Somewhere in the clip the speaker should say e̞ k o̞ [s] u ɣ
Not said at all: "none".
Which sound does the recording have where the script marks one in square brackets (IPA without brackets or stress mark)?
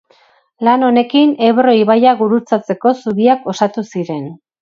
s